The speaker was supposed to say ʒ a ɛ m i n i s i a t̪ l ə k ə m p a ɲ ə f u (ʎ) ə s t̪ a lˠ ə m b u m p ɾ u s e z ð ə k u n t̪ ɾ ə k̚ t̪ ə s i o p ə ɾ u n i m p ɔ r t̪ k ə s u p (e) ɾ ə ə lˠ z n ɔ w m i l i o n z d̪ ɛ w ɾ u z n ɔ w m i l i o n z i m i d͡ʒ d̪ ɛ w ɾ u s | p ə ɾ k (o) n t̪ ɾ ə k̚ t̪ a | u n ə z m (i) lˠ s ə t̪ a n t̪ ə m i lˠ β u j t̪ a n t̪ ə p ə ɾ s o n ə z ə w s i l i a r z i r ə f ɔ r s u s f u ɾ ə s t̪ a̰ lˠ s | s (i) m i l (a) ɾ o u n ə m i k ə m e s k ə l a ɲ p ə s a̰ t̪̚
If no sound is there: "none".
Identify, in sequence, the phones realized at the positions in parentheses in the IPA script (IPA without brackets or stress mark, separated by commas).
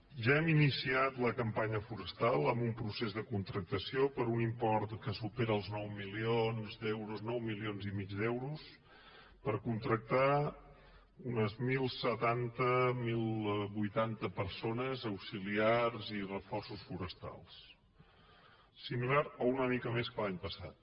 ɾ, e, u, i, i, a